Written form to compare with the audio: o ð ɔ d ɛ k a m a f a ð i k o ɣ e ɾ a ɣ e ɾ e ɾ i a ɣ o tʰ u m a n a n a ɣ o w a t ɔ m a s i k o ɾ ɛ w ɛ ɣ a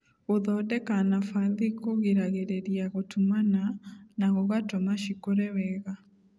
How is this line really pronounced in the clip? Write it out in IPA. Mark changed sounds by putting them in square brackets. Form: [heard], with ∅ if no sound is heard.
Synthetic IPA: o ð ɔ d ɛ k a [n] a f a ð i k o ɣ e ɾ a ɣ e ɾ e ɾ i a ɣ o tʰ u m a n a n a ɣ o [ɣ] a t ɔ m a [ʃ] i k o ɾ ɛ w ɛ ɣ a

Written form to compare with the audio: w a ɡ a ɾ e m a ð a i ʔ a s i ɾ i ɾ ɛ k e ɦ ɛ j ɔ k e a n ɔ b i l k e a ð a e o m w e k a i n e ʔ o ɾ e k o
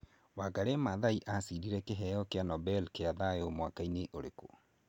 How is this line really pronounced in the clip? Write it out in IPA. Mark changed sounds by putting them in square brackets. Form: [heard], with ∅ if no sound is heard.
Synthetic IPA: w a ɡ a ɾ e m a ð a i ʔ a s i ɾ i ɾ ɛ k e ɦ ɛ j ɔ k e a n ɔ b [ɛ] l k e a ð a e o m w [a] k a i n e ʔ o ɾ e k o

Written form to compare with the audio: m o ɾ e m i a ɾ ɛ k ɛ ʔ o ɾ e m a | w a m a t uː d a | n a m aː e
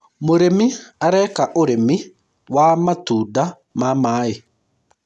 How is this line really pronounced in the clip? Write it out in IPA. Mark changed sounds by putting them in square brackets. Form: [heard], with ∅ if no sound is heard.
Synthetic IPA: m o ɾ e m i a ɾ ɛ k [a] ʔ o ɾ e m [i] | w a m a t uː d a | [m] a m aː e

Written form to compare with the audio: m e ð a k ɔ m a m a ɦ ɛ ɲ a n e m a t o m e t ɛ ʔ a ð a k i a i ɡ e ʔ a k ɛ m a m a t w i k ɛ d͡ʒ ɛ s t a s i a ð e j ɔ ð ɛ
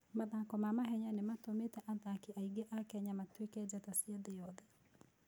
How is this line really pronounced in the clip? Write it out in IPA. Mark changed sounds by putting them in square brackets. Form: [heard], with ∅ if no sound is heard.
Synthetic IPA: m [a] ð a k ɔ m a m a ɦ ɛ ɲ a n e m a t o m e t ɛ ʔ a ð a k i a i ɡ e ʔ a k ɛ [ɲ] a m a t w [e] k ɛ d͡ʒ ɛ [∅] t a s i a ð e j ɔ ð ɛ

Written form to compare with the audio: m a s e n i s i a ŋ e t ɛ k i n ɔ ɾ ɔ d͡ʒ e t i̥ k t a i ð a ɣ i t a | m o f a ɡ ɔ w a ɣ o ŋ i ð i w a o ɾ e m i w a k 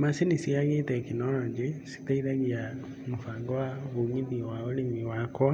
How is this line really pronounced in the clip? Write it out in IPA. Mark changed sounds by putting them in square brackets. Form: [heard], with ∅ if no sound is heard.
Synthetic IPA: m a s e n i s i a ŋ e t ɛ k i n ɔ ɾ ɔ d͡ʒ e [s] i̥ [∅] t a i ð a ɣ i [∅] a | m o f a ɡ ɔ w a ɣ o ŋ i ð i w a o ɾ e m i w a k

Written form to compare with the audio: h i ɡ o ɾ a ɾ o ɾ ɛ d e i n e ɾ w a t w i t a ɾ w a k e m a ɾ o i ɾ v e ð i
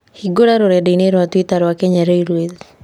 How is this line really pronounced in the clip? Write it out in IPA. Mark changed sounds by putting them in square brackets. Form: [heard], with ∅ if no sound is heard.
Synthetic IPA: h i ɡ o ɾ a ɾ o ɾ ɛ d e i n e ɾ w a t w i t a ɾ w a k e [ɲ] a ɾ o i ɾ [w] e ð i

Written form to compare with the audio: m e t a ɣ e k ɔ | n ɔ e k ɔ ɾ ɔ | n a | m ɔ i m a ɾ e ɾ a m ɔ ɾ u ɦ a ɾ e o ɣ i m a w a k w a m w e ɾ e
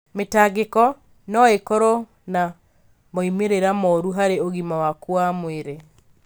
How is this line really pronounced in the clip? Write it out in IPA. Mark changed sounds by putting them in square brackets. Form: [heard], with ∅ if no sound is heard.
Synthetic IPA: m e t a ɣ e k ɔ | n ɔ e k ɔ ɾ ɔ | n a | m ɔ i m [e] ɾ e ɾ a m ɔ ɾ u ɦ a ɾ e o ɣ i m a w a k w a m w e ɾ e

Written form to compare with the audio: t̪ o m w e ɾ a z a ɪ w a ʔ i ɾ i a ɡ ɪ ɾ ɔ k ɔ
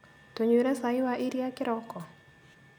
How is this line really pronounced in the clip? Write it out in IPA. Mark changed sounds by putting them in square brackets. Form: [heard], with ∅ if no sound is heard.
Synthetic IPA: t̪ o [ɲ] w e ɾ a [s] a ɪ w a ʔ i ɾ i a [k] ɪ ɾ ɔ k ɔ

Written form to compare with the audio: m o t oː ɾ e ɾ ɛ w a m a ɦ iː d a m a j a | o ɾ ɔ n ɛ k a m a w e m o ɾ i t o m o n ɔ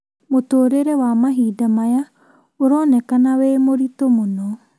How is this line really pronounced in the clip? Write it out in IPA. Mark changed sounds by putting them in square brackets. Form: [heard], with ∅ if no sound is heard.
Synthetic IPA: m o t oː ɾ e ɾ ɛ w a m a ɦ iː d a m a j a | o ɾ ɔ n ɛ k a [n] a w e m o ɾ i t o m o n ɔ

